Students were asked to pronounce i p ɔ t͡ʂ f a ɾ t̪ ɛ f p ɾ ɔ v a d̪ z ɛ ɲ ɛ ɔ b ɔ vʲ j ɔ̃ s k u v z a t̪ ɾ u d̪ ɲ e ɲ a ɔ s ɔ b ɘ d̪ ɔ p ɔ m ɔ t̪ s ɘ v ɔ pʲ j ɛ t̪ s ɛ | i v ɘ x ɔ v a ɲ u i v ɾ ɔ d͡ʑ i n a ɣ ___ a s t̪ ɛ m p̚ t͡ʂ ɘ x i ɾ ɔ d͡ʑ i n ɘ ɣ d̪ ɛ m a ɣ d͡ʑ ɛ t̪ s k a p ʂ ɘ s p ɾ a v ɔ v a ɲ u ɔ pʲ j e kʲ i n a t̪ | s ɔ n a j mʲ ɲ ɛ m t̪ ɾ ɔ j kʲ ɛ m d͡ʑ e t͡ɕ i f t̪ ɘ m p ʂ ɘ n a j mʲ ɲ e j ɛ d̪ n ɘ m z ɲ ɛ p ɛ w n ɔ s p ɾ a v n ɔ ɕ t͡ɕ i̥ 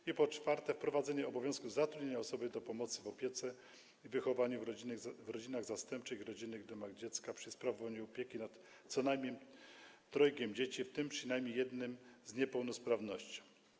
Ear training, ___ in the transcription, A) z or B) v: A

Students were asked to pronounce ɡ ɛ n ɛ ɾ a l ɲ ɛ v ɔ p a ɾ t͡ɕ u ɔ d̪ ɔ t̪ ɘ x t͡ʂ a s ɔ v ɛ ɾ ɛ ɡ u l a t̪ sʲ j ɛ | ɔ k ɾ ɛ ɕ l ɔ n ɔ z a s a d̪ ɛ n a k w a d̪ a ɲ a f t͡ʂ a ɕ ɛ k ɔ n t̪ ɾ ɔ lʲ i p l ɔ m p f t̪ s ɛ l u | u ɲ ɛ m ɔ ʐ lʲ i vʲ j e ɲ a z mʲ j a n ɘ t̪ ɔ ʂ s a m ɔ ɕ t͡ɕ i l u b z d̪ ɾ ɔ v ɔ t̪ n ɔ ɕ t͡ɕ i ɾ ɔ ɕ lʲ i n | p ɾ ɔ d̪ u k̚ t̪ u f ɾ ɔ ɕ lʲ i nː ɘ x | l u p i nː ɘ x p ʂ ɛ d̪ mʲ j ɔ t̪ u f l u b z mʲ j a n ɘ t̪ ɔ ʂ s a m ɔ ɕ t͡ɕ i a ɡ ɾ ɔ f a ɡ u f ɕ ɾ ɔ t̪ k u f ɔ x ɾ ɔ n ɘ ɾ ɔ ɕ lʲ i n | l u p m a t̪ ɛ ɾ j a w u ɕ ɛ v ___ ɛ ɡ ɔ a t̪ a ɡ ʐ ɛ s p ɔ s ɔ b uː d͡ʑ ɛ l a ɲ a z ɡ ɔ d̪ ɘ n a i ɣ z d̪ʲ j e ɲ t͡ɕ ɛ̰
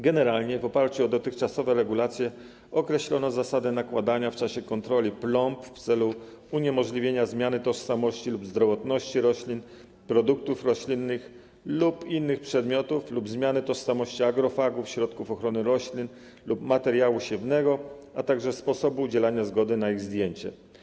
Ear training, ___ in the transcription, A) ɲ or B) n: B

